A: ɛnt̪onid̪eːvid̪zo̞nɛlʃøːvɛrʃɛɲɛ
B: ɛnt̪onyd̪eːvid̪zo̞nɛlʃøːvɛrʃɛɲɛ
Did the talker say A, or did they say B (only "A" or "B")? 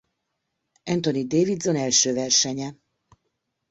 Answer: A